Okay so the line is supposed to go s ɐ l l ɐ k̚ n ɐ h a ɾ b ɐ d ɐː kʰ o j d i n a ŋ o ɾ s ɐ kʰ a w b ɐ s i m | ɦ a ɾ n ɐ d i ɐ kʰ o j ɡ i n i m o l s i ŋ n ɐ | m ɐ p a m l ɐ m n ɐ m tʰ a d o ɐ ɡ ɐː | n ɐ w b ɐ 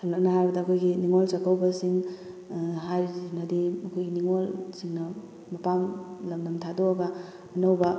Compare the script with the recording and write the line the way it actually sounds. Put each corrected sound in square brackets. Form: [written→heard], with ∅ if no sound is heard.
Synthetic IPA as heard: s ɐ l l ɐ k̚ n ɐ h a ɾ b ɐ d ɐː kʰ o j [d→ɡ] i n [a→i] ŋ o [ɾ→l] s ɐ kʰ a w b ɐ s i [m→ŋ] | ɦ a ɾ n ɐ d i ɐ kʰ o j ɡ i n i [m→ŋ] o l s i ŋ n ɐ | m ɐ p a m l ɐ m n ɐ m tʰ a d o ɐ ɡ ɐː | n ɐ w b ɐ